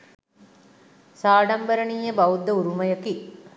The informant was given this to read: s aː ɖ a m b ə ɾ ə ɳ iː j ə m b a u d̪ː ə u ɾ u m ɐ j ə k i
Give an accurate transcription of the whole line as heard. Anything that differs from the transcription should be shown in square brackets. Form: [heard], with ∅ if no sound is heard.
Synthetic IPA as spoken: s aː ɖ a m b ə ɾ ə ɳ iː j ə [∅] b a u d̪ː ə u ɾ u m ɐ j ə k i